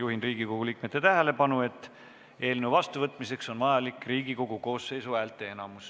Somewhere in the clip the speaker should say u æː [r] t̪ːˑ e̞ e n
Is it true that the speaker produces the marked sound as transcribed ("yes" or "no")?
no